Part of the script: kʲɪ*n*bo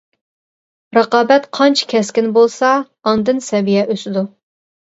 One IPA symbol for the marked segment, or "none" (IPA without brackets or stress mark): n